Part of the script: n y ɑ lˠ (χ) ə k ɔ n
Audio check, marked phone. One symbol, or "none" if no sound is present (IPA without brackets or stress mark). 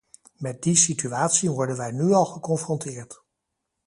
χ